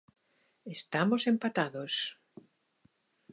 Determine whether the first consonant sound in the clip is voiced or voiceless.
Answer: voiceless